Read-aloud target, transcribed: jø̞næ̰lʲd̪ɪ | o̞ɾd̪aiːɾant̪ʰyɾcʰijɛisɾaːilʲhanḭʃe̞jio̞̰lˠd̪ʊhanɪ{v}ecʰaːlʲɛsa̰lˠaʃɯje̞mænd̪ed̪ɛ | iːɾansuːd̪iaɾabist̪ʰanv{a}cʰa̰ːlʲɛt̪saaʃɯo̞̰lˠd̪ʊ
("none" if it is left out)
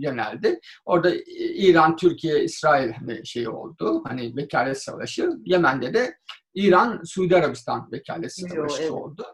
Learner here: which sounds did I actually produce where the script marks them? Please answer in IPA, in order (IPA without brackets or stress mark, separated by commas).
v, e